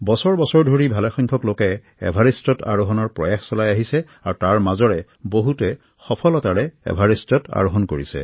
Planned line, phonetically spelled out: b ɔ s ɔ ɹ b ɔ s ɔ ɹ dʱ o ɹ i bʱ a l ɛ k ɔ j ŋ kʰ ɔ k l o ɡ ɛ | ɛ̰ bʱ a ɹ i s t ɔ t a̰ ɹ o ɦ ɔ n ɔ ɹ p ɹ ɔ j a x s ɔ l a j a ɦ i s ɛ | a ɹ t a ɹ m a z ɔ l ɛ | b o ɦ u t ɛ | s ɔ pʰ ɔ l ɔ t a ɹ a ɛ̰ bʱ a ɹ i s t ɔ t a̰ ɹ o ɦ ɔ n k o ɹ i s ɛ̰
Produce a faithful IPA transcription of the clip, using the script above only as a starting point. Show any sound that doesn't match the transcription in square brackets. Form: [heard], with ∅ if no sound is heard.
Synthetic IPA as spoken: b ɔ s ɔ ɹ b ɔ s ɔ ɹ dʱ o ɹ i bʱ a l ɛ [x] ɔ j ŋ kʰ ɔ k l o [k] ɛ | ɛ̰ bʱ a ɹ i s t ɔ t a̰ ɹ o ɦ ɔ n ɔ ɹ p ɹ ɔ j a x s ɔ l a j a ɦ i s ɛ | a ɹ t a ɹ m a z ɔ [ɹ] ɛ | b o ɦ u t ɛ | [x] ɔ pʰ ɔ l ɔ t a ɹ [ɛ] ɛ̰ bʱ a ɹ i s t ɔ t a̰ ɹ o ɦ ɔ n k o ɹ i s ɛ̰